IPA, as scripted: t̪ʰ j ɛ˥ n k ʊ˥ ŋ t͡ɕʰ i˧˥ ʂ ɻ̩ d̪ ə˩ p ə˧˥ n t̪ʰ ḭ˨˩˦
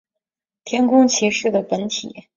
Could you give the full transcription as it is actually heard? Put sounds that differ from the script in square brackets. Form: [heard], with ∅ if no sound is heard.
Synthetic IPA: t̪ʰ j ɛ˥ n k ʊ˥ ŋ t͡ɕʰ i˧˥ ʂ ɻ̩ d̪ ə˩ p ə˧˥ n t̪ʰ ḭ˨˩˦